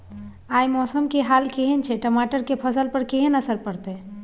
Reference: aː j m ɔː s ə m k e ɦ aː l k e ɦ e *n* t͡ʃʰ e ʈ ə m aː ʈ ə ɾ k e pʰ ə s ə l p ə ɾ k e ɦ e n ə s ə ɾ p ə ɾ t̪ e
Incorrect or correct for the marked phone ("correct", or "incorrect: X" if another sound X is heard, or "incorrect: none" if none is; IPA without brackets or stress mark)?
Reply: correct